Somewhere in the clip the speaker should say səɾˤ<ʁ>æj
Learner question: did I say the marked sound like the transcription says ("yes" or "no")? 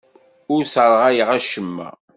yes